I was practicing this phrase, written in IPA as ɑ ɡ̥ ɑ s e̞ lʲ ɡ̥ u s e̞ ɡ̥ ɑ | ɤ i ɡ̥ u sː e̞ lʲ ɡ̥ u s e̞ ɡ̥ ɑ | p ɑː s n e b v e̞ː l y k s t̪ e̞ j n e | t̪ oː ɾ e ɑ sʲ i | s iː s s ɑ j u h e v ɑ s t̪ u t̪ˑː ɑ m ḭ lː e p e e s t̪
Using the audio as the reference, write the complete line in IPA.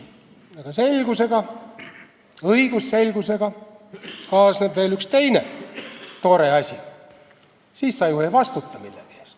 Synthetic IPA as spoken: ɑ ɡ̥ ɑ s e̞ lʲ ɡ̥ u s e̞ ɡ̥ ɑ | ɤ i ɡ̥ u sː e̞ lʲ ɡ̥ u s e̞ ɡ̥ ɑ | k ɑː s n e b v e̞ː l y k s t̪ e̞ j n e | t̪ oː ɾ e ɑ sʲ i | s iː s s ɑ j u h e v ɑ s t̪ u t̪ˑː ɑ m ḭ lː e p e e s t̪